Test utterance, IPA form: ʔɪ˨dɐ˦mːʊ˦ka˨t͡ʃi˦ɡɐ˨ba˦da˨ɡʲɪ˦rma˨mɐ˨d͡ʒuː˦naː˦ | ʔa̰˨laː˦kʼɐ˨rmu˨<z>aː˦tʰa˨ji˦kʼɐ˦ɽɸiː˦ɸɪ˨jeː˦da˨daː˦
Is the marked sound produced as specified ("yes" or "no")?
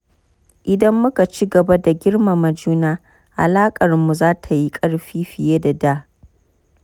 yes